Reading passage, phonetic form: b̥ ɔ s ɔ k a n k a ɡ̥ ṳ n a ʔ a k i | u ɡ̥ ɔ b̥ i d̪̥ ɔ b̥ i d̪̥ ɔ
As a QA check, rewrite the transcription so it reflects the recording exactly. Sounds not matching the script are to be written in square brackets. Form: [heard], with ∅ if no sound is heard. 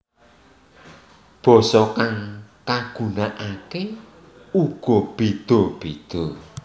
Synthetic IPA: b̥ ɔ s ɔ k a [ŋ] k a ɡ̥ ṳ n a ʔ a k [e] | u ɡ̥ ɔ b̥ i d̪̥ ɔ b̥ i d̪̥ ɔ